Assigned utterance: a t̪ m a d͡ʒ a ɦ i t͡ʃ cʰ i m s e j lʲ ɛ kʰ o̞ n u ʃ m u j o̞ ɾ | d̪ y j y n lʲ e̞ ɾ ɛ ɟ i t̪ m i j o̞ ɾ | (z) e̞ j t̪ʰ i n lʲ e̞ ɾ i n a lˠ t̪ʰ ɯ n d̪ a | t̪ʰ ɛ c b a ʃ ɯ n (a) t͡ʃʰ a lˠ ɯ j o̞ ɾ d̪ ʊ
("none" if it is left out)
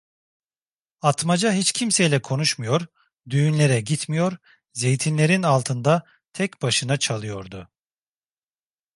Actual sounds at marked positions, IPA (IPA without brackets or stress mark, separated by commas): z, a